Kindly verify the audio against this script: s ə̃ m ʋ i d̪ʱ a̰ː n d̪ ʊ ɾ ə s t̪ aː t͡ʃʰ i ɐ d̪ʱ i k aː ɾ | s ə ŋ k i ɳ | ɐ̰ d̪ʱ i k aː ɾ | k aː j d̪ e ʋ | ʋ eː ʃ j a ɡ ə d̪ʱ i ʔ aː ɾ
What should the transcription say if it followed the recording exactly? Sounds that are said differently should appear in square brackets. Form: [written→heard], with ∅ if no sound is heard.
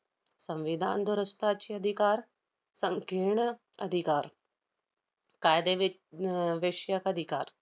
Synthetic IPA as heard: s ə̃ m ʋ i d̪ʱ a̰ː n d̪ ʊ ɾ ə s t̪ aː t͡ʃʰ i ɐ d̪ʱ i k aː ɾ | s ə ŋ k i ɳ | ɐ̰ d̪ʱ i k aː ɾ | k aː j d̪ e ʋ | ʋ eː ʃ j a [ɡ→k] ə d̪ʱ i [ʔ→k] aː ɾ

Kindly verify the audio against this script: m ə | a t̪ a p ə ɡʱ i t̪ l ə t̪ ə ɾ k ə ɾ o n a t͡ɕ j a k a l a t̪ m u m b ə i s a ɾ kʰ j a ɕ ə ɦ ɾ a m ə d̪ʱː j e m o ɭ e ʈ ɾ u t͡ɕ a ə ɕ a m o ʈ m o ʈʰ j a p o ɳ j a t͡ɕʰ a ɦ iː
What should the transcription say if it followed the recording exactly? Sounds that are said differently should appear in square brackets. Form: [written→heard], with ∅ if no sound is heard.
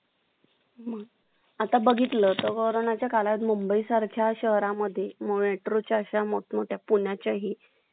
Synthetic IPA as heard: m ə | a t̪ a [p→b] ə ɡʱ i t̪ l ə t̪ ə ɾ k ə ɾ o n a t͡ɕ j a k a l a t̪ m u m b ə i s a ɾ kʰ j a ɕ ə ɦ ɾ a m ə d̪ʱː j e m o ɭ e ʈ ɾ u t͡ɕ a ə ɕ a m o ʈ m o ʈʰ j a p [o→u] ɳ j a [t͡ɕʰ→t͡ɕ] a ɦ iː

